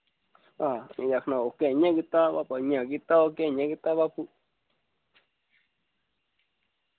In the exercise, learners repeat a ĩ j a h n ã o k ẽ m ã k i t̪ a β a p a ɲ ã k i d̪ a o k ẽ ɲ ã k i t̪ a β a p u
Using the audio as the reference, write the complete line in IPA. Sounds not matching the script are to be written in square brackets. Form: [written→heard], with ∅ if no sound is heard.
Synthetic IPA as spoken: a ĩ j a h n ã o k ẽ [m→ɲ] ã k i t̪ a β a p a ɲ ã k i [d̪→t̪] a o k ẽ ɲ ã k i t̪ a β a p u